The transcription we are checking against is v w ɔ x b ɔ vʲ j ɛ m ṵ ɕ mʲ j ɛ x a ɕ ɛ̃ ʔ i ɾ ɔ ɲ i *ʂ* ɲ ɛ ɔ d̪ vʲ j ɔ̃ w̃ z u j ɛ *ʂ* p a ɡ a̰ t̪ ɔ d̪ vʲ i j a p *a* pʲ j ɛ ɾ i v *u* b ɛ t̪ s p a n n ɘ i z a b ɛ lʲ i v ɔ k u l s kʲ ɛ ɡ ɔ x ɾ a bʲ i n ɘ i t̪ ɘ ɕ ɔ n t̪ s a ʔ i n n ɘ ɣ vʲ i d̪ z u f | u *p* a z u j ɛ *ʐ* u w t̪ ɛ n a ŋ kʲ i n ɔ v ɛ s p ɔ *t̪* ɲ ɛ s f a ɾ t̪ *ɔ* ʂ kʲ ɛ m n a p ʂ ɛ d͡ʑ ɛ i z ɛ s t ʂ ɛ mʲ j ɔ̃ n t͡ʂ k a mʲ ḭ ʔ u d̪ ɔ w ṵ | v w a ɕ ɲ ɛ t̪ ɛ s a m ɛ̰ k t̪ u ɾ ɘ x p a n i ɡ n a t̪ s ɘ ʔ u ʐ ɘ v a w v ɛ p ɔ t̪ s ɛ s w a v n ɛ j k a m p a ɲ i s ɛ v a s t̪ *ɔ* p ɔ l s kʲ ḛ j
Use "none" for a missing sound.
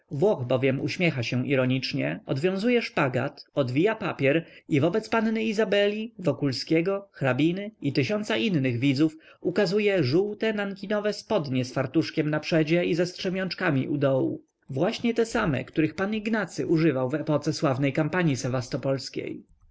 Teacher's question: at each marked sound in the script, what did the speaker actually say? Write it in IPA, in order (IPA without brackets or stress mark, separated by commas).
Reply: t͡ʂ, ʂ, a, ɔ, k, ʐ, d̪, u, ɔ